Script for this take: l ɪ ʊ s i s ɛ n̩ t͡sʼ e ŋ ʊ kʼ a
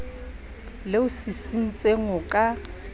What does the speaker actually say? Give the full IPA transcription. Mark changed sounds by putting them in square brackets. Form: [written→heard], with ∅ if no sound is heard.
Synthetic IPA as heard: l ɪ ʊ s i s [ɛ→i] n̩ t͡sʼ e ŋ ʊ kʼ a